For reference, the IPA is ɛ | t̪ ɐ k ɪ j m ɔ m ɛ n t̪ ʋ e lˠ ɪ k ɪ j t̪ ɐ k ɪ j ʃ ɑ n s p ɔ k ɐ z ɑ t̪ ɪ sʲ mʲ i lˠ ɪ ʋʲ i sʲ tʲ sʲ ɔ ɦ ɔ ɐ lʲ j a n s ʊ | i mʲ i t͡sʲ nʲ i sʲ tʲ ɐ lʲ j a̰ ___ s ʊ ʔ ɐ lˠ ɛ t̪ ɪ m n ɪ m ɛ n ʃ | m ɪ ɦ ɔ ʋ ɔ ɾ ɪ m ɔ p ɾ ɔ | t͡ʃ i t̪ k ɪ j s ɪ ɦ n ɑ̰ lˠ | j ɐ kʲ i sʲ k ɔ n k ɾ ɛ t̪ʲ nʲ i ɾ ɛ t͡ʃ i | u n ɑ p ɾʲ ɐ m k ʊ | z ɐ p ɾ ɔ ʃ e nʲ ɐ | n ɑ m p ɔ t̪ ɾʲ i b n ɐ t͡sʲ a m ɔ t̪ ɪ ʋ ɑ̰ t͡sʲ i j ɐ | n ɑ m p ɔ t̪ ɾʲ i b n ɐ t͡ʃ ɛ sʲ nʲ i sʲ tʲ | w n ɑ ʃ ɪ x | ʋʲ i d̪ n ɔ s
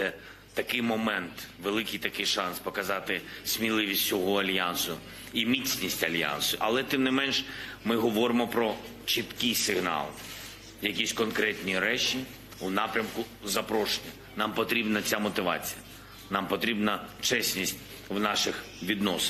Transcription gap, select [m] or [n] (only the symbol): n